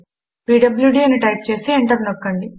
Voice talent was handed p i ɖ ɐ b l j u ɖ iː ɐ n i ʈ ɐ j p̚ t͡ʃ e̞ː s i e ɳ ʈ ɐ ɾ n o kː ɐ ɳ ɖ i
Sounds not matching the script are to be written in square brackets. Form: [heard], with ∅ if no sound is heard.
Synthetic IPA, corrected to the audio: p [iː] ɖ ɐ b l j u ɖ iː ɐ n i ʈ ɐ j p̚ t͡ʃ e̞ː s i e ɳ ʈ ɐ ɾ n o kː ɐ ɳ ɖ i

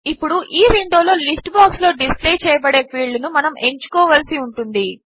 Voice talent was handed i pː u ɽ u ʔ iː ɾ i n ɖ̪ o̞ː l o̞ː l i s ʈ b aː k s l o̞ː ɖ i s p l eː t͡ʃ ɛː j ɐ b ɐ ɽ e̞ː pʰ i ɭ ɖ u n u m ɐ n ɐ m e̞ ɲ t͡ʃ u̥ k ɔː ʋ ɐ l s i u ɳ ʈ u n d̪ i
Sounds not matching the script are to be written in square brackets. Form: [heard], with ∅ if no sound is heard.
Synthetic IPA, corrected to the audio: i pː u ɽ u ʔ iː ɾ i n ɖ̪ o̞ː l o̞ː l i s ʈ b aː k s l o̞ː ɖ i s p l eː t͡ʃ ɛː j ɐ b ɐ ɽ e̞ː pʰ [iː] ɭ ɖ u n u m ɐ n ɐ m e̞ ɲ t͡ʃ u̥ k ɔː ʋ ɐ l s i u ɳ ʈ u n d̪ i

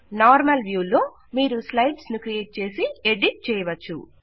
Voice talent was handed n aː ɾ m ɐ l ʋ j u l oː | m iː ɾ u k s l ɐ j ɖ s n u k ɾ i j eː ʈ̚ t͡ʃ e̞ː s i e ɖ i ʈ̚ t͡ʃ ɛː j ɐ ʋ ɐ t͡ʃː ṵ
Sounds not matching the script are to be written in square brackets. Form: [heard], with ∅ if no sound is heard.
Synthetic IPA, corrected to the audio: n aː ɾ m ɐ l ʋ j [uː] l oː | m iː ɾ u [∅] s l ɐ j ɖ s n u k ɾ i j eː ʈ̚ t͡ʃ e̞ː s i e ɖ i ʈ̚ t͡ʃ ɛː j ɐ ʋ ɐ t͡ʃː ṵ

